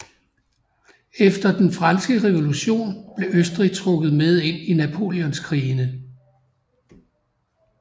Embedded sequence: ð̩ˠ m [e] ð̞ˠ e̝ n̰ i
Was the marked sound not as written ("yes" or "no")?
no